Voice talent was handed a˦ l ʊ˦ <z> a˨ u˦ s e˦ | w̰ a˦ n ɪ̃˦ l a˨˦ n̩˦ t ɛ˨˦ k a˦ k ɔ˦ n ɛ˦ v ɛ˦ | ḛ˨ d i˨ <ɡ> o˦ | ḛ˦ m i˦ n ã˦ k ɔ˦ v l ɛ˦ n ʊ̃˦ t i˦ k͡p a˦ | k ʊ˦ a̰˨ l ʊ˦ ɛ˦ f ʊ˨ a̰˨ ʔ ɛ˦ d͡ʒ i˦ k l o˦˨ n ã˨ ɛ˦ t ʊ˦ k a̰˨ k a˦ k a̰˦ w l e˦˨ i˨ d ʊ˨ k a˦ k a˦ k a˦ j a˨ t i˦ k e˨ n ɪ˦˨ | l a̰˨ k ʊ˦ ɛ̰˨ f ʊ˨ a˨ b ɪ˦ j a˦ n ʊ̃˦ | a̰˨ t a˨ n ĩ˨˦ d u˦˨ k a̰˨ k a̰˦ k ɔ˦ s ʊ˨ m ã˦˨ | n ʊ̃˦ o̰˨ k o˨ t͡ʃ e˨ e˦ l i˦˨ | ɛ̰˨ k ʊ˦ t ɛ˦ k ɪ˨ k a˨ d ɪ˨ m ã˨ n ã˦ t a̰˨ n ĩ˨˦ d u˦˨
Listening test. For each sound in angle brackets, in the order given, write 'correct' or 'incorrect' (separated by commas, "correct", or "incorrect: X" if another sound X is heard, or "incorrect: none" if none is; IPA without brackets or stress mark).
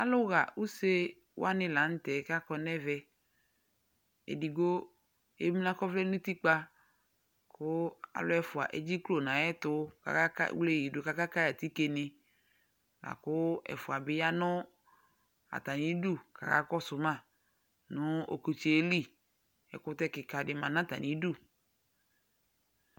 incorrect: ɣ, correct